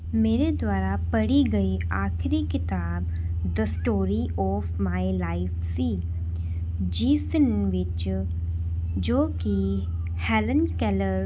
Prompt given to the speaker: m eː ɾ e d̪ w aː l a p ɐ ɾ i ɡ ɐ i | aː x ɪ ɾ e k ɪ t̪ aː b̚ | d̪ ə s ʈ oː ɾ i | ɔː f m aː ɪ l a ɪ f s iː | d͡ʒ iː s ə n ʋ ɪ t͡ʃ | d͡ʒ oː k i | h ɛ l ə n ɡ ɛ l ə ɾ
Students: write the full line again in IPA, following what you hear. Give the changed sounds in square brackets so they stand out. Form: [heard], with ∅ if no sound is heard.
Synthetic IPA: m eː ɾ e d̪ w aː [ɾ] a p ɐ [ɽ] i ɡ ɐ i | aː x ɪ ɾ [i] k ɪ t̪ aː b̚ | d̪ ə s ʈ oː ɾ i | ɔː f m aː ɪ l a ɪ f s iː | d͡ʒ iː s ə n ʋ ɪ t͡ʃ | d͡ʒ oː k i | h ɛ l ə n [k] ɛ l ə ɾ